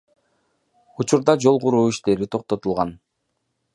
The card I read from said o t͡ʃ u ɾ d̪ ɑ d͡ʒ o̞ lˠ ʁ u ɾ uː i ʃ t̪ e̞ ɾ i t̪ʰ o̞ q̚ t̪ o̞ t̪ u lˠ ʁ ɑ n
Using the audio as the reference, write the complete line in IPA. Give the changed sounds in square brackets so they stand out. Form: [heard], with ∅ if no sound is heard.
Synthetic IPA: [u] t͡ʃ u ɾ d̪ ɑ d͡ʒ o̞ lˠ ʁ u ɾ uː i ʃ t̪ e̞ ɾ i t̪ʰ o̞ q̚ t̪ o̞ t̪ u lˠ ʁ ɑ n

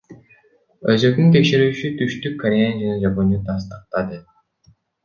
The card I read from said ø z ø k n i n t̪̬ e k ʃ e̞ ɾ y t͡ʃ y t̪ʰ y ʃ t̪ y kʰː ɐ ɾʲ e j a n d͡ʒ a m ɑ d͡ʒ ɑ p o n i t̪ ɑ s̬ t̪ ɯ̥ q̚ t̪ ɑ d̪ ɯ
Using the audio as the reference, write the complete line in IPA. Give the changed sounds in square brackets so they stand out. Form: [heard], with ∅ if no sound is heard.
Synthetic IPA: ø z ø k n [y] n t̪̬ e k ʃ e̞ ɾ [yː] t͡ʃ y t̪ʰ y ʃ t̪ y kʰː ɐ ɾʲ e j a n d͡ʒ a [n] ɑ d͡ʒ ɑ p o n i t̪ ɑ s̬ t̪ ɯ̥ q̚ t̪ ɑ d̪ ɯ

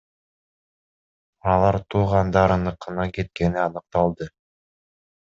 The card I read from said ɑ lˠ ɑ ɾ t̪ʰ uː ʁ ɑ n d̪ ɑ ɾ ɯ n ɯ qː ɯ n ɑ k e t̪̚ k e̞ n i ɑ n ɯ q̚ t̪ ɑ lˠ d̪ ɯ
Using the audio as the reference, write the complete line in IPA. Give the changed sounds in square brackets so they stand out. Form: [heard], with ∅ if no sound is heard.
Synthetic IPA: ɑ lˠ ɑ ɾ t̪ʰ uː ʁ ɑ n d̪ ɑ ɾ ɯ n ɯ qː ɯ n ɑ k e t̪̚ k e̞ n i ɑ n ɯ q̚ t̪ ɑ lˠ d̪ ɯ

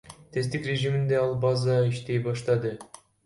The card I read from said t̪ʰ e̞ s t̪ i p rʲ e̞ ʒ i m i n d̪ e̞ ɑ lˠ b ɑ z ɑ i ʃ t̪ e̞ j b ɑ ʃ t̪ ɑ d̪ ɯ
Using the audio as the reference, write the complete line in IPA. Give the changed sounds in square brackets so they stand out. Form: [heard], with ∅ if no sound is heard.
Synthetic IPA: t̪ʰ e̞ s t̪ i [k] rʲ e̞ ʒ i m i n d̪ e̞ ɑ lˠ b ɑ z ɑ i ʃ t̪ e̞ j b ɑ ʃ t̪ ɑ d̪ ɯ

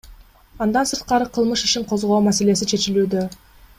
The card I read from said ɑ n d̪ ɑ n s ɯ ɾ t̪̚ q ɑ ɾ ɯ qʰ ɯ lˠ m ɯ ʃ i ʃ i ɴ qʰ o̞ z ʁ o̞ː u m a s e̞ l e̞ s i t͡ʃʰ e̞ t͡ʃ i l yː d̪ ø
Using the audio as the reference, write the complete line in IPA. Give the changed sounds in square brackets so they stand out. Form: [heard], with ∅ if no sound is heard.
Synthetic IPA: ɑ n d̪ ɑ n s ɯ ɾ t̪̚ q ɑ ɾ ɯ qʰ ɯ lˠ m ɯ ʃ i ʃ i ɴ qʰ o̞ z ʁ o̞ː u m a s e̞ l e̞ s i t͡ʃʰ e̞ t͡ʃ i l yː d̪ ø

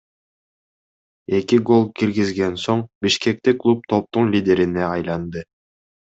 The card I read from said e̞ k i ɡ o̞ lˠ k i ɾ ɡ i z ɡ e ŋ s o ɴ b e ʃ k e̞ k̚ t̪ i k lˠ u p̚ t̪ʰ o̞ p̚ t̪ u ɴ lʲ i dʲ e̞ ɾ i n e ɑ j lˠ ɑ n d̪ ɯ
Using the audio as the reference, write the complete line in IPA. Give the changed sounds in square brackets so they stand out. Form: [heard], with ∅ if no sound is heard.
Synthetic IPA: e̞ k i ɡ o̞ lˠ k i ɾ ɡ i z ɡ e [n] s o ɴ b [i] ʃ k e̞ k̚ t̪ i k lˠ u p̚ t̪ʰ o̞ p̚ t̪ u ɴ lʲ i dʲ e̞ ɾ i n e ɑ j lˠ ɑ n d̪ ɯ

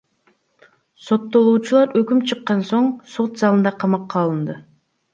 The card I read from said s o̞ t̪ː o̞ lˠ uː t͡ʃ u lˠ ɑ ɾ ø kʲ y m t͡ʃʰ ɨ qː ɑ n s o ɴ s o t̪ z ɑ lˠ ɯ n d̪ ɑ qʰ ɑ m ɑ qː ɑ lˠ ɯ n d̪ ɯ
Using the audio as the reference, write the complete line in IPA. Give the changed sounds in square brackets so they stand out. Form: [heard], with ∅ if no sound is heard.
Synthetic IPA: s o̞ t̪ː o̞ lˠ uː t͡ʃ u lˠ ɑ ɾ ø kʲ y m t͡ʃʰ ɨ qː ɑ n s o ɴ s o t̪ z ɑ lˠ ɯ n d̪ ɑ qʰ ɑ m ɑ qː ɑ lˠ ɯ n d̪ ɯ

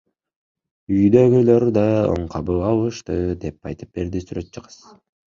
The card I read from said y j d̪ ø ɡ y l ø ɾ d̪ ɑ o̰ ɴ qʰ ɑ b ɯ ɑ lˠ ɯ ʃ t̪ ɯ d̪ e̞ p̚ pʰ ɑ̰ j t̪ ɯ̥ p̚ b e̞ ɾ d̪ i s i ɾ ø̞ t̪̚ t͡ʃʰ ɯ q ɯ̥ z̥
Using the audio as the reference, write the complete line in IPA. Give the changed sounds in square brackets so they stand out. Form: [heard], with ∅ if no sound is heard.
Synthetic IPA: y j d̪ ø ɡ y l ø ɾ d̪ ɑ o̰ ɴ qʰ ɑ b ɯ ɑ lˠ ɯ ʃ t̪ ɯ d̪ e̞ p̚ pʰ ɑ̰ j t̪ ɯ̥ p̚ b e̞ ɾ d̪ i s [y] ɾ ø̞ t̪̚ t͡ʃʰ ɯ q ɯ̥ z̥

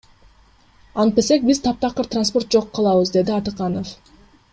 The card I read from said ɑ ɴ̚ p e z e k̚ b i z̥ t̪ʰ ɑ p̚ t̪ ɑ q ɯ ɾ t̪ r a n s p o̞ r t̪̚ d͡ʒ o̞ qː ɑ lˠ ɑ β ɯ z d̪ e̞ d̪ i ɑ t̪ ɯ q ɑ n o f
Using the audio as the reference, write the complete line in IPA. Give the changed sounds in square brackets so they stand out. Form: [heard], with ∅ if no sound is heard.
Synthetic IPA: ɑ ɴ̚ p e [s] e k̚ b i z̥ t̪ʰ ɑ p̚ t̪ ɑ q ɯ ɾ t̪ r a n s p o̞ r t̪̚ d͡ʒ o̞ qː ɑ lˠ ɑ β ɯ z d̪ e̞ d̪ i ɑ t̪ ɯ q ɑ n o f

